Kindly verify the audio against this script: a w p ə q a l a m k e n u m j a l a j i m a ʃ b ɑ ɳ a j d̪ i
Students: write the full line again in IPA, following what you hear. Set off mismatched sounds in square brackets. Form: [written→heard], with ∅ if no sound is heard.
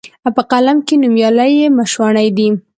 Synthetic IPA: a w p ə q a l a m k e n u m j [a→ɑ] l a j [i→e] m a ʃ [b→w] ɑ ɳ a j d̪ i